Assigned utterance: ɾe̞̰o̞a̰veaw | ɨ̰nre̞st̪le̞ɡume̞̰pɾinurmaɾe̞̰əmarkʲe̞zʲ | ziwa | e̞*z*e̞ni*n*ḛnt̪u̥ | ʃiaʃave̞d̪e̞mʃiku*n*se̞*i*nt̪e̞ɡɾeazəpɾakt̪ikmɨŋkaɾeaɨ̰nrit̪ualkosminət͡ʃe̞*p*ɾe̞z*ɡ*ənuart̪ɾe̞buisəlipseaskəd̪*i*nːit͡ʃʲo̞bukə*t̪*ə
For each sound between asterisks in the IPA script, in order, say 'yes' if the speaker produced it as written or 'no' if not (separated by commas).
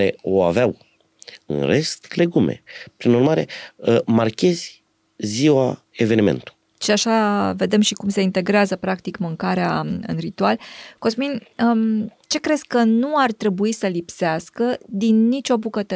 no, no, no, yes, no, no, yes, yes